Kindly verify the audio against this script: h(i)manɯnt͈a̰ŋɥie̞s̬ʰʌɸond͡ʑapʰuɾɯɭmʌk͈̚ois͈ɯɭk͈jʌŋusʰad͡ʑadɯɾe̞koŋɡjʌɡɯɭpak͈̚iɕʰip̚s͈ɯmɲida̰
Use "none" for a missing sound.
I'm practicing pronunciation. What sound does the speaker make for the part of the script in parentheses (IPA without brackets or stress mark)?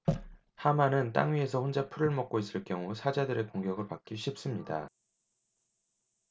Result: a